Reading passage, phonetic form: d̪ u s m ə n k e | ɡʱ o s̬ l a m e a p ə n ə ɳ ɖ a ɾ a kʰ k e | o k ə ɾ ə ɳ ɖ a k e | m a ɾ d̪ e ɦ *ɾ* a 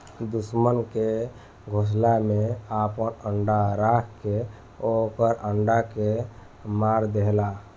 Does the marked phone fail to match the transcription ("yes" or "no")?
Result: yes